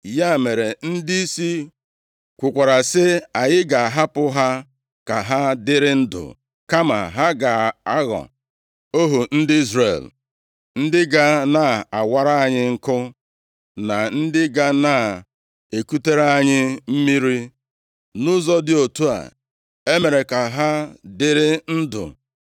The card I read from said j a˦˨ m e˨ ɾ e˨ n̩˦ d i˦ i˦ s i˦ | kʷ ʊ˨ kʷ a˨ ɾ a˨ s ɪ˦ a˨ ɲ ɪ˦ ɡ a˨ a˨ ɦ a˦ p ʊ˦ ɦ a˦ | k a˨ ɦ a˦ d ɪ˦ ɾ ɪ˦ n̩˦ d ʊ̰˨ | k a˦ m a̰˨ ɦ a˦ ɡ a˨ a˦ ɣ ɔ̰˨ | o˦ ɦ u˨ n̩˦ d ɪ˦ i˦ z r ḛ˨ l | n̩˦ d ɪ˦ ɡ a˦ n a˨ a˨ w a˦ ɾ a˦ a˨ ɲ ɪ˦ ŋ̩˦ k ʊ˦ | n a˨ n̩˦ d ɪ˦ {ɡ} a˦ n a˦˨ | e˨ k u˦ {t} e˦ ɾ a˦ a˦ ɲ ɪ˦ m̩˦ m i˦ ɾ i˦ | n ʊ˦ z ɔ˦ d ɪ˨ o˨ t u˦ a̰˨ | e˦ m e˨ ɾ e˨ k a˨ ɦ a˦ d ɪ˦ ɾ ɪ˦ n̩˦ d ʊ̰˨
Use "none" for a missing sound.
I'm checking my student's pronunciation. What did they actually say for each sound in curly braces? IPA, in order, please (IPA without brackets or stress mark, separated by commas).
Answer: ɡ, t